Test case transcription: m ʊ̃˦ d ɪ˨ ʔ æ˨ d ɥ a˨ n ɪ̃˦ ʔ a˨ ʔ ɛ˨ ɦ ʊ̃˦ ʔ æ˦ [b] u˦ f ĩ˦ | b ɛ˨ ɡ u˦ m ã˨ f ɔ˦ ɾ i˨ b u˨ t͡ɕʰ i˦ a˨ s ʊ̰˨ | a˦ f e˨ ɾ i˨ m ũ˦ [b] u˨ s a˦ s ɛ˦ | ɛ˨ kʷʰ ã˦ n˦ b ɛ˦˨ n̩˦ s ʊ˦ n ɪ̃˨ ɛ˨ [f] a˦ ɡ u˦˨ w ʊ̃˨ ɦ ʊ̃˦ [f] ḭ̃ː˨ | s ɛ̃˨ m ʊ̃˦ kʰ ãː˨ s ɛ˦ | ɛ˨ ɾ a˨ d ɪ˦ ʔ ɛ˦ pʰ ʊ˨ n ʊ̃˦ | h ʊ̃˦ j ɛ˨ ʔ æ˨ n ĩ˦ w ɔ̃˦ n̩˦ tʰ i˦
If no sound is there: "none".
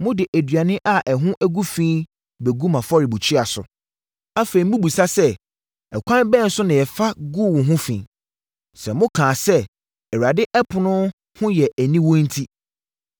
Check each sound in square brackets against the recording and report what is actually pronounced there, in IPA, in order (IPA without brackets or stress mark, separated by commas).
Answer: ɡ, b, f, f